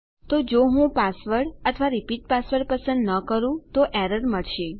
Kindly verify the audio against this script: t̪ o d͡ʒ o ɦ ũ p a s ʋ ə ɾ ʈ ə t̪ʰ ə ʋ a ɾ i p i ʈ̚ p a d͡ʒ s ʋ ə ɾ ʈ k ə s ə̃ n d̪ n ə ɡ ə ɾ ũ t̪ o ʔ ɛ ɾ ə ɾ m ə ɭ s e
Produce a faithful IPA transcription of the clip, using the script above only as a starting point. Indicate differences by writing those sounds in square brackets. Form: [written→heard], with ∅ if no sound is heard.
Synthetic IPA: t̪ o d͡ʒ o ɦ ũ p a s ʋ ə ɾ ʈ ə t̪ʰ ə ʋ a ɾ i p i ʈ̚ p a [d͡ʒ→∅] s ʋ ə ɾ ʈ [k→p] ə s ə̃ n d̪ n ə [ɡ→k] ə ɾ ũ t̪ o ʔ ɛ ɾ ə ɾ m ə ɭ [s→ʃ] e